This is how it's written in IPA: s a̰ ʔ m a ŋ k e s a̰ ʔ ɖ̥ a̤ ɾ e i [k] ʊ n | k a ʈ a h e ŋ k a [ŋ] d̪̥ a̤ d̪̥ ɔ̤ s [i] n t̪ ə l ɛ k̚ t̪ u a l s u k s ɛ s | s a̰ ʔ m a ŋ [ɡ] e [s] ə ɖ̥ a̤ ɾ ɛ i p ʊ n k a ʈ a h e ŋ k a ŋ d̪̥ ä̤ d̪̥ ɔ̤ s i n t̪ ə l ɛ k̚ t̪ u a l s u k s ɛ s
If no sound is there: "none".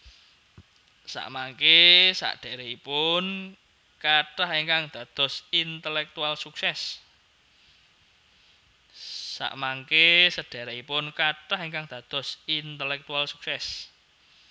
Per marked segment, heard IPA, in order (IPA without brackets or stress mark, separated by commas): p, ŋ, i, k, s